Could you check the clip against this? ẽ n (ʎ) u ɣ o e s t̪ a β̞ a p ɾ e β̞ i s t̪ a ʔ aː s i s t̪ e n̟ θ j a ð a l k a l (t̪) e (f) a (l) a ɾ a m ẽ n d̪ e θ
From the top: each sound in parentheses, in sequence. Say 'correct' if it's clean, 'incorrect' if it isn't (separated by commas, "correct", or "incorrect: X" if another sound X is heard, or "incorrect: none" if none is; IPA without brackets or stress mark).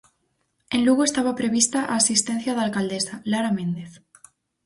incorrect: l, incorrect: d̪, incorrect: s, correct